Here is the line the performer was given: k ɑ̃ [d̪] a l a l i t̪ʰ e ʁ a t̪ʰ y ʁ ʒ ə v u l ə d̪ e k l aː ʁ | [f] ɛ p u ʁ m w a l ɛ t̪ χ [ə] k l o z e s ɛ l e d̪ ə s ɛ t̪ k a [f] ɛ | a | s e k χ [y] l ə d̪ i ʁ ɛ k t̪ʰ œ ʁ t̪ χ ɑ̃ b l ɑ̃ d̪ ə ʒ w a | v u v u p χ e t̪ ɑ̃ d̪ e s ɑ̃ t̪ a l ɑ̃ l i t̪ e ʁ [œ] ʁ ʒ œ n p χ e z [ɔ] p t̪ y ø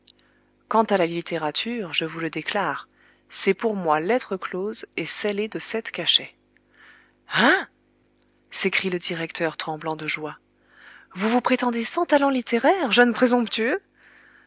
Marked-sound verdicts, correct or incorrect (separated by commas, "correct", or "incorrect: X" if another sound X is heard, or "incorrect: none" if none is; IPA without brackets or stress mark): incorrect: t̪, incorrect: s, correct, incorrect: ʃ, incorrect: i, incorrect: ɛ, incorrect: ɔ̃